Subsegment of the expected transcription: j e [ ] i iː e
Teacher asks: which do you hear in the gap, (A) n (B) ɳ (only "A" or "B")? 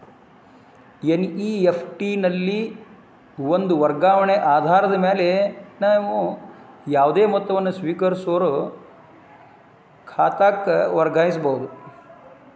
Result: A